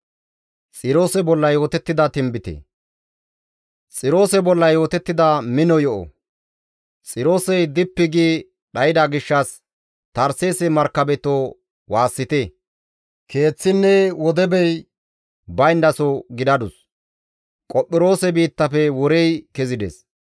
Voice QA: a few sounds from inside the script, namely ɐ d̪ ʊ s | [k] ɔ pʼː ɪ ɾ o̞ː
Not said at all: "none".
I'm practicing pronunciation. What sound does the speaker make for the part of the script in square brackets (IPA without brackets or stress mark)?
kʼ